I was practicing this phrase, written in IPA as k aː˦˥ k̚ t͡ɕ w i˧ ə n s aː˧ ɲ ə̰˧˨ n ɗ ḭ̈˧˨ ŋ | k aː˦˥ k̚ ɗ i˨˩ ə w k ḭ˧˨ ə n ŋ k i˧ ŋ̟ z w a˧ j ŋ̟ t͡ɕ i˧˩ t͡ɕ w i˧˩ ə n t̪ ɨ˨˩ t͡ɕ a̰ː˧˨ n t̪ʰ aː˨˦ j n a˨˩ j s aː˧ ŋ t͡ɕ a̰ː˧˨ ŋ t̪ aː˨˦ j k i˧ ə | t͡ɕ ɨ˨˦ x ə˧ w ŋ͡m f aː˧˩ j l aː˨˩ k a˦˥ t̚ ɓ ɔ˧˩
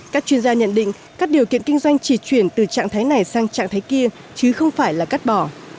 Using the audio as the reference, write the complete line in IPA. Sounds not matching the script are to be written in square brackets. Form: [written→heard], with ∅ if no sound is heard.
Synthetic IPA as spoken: k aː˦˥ k̚ t͡ɕ w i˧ ə n [s→z] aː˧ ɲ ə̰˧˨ n ɗ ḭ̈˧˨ ŋ | k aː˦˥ k̚ ɗ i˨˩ ə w k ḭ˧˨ ə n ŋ k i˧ ŋ̟ z w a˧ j ŋ̟ t͡ɕ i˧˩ t͡ɕ w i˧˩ ə n t̪ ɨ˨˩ t͡ɕ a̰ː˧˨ [n→ŋ] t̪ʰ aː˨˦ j n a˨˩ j s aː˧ ŋ t͡ɕ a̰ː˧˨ ŋ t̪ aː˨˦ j k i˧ ə | t͡ɕ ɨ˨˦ x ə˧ w ŋ͡m f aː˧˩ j l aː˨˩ k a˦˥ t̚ ɓ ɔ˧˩